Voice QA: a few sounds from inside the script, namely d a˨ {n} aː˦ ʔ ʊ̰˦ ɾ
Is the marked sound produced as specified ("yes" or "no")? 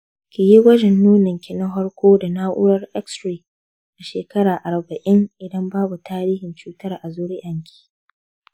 yes